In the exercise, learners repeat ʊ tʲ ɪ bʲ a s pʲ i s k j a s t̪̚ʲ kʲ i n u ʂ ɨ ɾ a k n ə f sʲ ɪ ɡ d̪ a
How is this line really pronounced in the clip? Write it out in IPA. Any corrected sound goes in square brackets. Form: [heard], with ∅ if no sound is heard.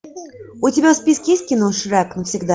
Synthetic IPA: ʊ tʲ ɪ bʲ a s pʲ i s k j [e] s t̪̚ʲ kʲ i n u ʂ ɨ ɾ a k n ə f sʲ ɪ ɡ d̪ a

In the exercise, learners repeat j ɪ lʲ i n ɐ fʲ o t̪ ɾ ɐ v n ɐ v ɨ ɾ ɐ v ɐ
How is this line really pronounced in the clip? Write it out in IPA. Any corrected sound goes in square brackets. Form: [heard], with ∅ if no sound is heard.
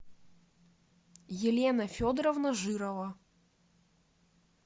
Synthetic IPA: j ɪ lʲ [e] n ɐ fʲ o [d̪] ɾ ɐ v n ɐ [ʐ] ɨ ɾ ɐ v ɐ

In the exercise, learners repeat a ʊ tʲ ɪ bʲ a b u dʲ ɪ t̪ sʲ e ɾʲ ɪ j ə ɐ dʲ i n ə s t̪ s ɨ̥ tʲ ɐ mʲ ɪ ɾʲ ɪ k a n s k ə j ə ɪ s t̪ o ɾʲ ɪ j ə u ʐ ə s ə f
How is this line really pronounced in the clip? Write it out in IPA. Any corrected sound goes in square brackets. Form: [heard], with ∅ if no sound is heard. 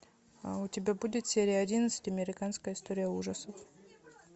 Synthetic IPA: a ʊ tʲ ɪ bʲ a b u dʲ ɪ t̪ sʲ e ɾʲ ɪ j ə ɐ dʲ i n ə [∅] t̪ s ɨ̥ tʲ ɐ mʲ ɪ ɾʲ ɪ k a n s k ə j ə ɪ s t̪ o ɾʲ ɪ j ə u ʐ ə s ə f

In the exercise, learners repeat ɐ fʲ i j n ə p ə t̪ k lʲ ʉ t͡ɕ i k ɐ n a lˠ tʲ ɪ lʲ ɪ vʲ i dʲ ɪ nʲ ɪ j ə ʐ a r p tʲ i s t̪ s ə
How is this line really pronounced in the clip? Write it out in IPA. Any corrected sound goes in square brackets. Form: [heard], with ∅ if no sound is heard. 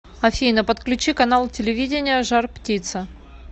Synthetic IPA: ɐ fʲ i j n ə p ə t̪ k lʲ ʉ t͡ɕ i k ɐ n a lˠ tʲ ɪ lʲ ɪ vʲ i dʲ ɪ nʲ ɪ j ə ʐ a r p tʲ i [∅] t̪ s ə

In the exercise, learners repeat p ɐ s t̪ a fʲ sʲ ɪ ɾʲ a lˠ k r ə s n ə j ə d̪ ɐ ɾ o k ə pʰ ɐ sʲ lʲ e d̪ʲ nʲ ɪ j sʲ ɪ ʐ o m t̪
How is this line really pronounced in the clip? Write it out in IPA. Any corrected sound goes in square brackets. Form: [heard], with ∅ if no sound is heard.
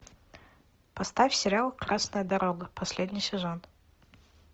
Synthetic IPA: p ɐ s t̪ a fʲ sʲ ɪ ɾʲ a lˠ k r [a] s n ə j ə d̪ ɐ ɾ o [ɡ] ə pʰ ɐ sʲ lʲ e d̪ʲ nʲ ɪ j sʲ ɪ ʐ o [n] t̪

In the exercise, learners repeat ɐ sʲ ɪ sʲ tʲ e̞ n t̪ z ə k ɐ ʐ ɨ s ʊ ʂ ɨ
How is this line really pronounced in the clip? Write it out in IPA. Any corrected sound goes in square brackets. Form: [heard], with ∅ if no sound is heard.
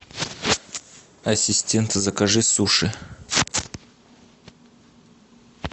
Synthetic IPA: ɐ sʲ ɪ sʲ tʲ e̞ n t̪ z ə k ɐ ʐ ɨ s [u] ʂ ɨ

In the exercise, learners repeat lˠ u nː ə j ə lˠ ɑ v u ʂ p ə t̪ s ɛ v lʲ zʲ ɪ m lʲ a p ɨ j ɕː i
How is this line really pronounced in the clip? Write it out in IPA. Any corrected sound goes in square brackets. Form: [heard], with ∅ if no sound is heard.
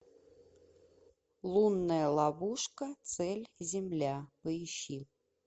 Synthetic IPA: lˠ u nː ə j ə lˠ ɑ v u ʂ [k] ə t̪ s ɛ [∅] lʲ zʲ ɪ m lʲ a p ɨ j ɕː i

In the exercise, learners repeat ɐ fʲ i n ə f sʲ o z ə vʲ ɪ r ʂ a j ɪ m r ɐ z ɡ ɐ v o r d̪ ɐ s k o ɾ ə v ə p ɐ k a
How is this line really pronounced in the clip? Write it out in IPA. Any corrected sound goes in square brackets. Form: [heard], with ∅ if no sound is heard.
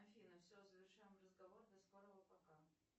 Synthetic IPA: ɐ fʲ i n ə f sʲ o z ə vʲ ɪ r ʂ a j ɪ m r [ə] z ɡ ɐ v o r d̪ ɐ s k o ɾ ə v ə p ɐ k a

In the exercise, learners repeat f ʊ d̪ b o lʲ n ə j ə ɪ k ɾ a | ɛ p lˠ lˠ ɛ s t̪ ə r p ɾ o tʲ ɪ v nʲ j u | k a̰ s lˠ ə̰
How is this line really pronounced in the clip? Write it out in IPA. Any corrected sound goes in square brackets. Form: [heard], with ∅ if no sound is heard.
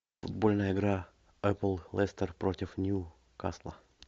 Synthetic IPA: f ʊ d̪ b o lʲ n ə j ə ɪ [ɡ] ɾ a | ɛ p lˠ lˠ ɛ s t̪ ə r p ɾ o tʲ ɪ [f] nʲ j u | k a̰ s lˠ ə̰

